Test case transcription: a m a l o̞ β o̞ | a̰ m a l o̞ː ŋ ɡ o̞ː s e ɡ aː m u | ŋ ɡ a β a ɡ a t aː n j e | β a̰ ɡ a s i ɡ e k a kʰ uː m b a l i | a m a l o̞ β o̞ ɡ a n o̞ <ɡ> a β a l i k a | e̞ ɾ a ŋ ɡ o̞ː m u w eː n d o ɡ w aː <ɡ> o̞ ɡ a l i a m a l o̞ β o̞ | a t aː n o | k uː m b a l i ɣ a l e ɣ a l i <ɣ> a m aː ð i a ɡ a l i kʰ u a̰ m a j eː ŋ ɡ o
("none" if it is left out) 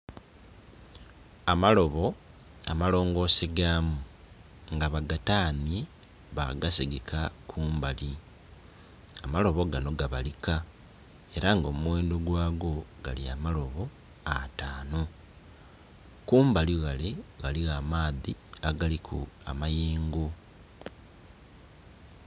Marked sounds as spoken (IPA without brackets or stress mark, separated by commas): ɡ, ɡ, ɣ